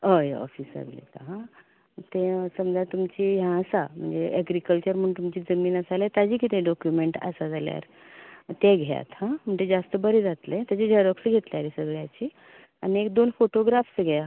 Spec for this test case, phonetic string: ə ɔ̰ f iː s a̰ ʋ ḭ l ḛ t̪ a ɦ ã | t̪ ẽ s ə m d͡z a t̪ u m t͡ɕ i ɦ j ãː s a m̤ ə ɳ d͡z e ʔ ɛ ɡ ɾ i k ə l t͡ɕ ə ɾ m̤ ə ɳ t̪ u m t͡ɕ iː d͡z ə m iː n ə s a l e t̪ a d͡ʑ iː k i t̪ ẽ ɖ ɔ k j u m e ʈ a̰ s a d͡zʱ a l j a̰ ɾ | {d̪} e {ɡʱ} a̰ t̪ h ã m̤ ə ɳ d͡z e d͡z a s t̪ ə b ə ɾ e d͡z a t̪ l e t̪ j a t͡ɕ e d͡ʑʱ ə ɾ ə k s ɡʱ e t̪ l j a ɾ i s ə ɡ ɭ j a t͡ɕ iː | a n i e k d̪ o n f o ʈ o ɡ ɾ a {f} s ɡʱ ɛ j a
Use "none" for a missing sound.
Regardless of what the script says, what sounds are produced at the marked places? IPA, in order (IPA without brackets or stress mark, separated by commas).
t̪, ɡʱ, f